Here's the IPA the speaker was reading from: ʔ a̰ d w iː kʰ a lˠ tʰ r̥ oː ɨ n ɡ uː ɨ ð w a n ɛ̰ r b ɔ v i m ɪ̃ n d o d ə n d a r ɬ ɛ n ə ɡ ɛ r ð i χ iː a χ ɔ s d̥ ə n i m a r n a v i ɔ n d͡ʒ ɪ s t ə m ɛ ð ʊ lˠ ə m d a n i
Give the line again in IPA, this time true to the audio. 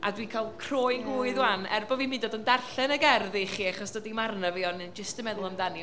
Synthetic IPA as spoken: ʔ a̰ d w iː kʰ a lˠ kʰ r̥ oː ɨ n ɡ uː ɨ ð w a n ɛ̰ r b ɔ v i m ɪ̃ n d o d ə n d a r ɬ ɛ n ə ɡ ɛ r ð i χ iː a χ ɔ s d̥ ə d i m a r n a v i ɔ n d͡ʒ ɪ s t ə m ɛ ð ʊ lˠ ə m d a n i